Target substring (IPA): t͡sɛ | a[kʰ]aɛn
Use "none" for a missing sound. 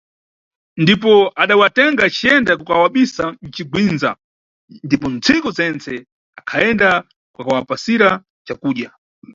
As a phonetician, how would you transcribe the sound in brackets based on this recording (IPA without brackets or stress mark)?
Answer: kʰ